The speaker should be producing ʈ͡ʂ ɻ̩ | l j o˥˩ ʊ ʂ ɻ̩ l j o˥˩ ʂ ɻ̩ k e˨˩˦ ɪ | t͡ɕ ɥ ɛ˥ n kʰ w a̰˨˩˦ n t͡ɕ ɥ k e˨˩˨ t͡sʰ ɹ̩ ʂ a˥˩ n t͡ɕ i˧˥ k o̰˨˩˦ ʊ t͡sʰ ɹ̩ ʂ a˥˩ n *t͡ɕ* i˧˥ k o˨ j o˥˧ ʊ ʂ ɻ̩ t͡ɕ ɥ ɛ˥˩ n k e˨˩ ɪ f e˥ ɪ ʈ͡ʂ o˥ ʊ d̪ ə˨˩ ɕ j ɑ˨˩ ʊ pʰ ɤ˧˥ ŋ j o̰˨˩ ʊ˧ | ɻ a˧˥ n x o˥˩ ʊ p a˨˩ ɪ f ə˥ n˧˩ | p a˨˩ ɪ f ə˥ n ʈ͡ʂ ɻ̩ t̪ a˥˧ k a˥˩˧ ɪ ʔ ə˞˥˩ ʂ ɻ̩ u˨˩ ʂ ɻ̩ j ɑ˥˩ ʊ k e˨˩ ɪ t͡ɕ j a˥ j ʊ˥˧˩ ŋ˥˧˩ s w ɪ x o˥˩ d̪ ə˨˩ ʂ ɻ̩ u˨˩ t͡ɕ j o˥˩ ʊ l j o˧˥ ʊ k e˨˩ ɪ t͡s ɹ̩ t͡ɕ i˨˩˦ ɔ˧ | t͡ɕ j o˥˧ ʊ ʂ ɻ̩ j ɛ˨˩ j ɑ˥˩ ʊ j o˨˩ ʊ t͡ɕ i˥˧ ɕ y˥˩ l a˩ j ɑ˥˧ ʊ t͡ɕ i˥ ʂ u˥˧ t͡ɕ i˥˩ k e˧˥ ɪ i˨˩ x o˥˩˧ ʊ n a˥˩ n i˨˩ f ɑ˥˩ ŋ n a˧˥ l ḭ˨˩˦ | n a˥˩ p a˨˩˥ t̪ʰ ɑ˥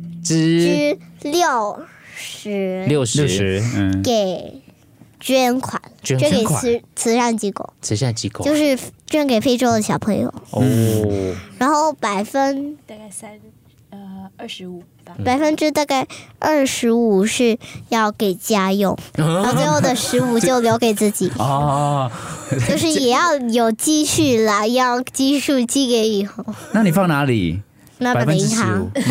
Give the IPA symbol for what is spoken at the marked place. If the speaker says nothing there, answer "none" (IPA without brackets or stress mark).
t͡ɕ